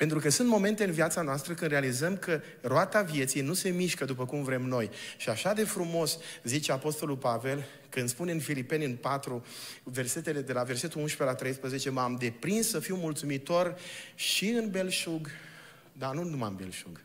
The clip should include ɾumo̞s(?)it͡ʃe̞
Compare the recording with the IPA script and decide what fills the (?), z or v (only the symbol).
z